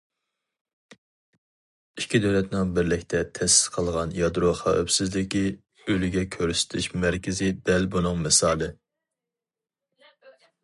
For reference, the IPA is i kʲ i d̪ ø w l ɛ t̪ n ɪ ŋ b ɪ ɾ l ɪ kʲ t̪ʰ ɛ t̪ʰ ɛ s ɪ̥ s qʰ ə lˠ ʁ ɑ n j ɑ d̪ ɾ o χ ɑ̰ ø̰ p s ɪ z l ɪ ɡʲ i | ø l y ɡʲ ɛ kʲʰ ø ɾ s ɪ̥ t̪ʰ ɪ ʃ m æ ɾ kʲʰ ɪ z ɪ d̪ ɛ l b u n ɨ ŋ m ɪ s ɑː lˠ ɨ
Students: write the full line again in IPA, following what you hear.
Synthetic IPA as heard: i kʲ i d̪ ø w l ɛ t̪ n ɪ ŋ b ɪ ɾ l ɪ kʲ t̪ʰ ɛ t̪ʰ ɛ s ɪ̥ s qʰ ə lˠ ʁ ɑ n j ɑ d̪ ɾ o χ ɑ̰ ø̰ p s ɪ z l ɪ kʲ i | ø l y ɡʲ ɛ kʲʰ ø ɾ s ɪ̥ t̪ʰ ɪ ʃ m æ ɾ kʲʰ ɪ z ɪ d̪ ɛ l b u n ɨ ŋ m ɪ s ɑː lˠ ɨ